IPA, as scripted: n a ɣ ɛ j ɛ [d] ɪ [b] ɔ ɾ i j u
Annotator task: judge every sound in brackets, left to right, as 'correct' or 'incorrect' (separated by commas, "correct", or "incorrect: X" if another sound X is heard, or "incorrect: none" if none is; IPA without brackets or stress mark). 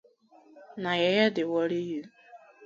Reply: correct, incorrect: w